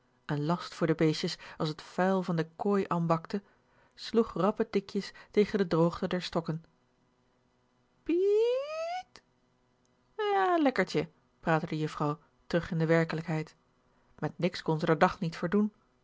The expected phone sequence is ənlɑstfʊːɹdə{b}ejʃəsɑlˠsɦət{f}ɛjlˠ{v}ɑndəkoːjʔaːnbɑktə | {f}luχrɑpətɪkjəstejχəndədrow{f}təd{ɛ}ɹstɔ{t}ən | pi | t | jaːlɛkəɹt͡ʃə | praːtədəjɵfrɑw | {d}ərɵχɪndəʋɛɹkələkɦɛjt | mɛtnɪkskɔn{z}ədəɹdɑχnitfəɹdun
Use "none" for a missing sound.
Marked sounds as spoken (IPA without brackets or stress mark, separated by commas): b, f, v, s, χ, ɛ, k, t, z